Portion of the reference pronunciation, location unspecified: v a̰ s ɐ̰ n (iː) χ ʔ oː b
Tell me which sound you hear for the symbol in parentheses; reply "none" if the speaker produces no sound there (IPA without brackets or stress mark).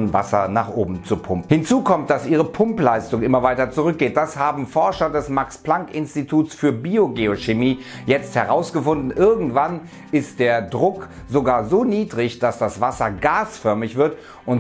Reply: aː